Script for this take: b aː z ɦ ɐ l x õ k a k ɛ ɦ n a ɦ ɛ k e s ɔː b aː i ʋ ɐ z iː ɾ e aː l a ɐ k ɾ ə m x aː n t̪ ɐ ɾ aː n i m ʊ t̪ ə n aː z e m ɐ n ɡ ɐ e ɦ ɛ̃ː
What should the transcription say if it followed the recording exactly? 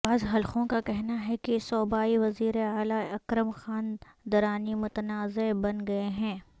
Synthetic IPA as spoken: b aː z ɦ ɐ l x õ k a k ɛ ɦ n a ɦ ɛ k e s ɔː b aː i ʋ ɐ z iː ɾ e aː l a ɐ k ɾ ə m x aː n d̪ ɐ ɾ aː n i m ʊ t̪ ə n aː z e b ɐ n ɡ ɐ e ɦ ɛ̃ː

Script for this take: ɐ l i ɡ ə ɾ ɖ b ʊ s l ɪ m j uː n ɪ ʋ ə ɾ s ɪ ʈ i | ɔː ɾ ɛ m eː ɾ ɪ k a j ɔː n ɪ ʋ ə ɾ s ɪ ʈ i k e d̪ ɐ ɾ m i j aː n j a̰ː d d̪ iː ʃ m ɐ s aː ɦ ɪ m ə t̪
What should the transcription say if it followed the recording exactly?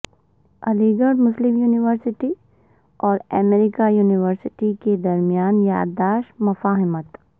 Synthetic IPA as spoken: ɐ l i ɡ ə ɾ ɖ m ʊ s l ɪ m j uː n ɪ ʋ ə ɾ s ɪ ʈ i | ɔː ɾ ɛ m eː ɾ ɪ k a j uː n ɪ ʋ ə ɾ s ɪ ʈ i k e d̪ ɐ ɾ m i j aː n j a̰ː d d̪ aː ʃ m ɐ f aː ɦ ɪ m ə t̪

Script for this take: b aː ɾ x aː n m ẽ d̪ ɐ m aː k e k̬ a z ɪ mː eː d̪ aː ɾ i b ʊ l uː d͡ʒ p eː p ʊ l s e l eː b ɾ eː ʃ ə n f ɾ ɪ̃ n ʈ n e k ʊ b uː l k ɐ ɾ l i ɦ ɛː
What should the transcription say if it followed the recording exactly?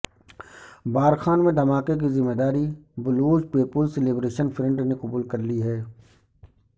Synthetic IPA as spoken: b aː ɾ x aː n m ẽ d̪ ɐ m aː k e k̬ i z ɪ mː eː d̪ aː ɾ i b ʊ l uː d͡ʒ p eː p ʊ l s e l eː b ɾ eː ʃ ə n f ɾ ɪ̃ ɳ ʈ n e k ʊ b uː l k ɐ ɾ l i ɦ ɛː

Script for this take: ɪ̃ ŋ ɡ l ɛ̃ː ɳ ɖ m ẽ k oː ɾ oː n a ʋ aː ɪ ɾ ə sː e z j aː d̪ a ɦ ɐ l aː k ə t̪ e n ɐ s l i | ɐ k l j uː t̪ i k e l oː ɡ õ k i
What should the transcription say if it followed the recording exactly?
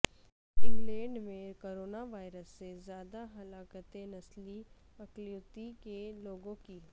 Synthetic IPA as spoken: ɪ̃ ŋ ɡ l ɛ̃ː ɳ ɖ m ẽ k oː ɾ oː n a ʋ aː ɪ ɾ ə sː e z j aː d̪ a ɦ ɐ l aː k ə t̪ e n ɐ s l i | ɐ k l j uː t̪ i k e l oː ɡ õ k i

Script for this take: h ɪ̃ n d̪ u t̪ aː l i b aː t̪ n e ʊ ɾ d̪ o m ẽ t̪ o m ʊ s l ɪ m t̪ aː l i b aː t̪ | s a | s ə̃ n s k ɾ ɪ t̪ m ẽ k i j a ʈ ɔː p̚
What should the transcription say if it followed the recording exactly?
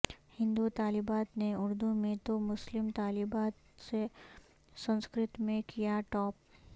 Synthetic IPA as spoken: h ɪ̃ n d̪ u t̪ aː l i b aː t̪ n e ʊ ɾ d̪ u m ẽ t̪ o m ʊ s l ɪ m t̪ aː l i b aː t̪ | s e | s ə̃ n s k ɾ ɪ t̪ m ẽ k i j a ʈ ɔː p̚

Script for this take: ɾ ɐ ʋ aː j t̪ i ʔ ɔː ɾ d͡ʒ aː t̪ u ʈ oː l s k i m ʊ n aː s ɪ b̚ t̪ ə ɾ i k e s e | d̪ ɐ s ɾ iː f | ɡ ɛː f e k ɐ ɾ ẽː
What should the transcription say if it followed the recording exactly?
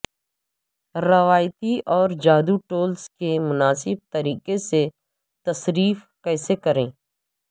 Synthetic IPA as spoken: ɾ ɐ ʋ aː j t̪ i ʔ ɔː ɾ d͡ʒ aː d̪ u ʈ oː l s k e m ʊ n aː s ɪ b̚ t̪ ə ɾ iː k e s e | t̪ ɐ s ɾ iː f | k ɛː s e k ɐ ɾ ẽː

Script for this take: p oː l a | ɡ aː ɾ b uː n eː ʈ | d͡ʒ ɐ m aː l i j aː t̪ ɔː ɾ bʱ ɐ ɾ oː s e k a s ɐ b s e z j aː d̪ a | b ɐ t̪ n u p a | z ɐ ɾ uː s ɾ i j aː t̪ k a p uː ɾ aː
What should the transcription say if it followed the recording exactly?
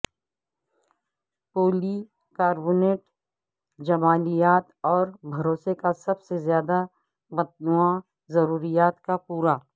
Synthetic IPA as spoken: p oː l i | k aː ɾ b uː n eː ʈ | d͡ʒ ɐ m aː l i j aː t̪ ɔː ɾ bʱ ɐ ɾ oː s e k a s ɐ b s e z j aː d̪ a | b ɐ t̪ n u a | z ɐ ɾ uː ɾ i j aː t̪ k a p uː ɾ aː

